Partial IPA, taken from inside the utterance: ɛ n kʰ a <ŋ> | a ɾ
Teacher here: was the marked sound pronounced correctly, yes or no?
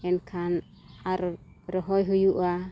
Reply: no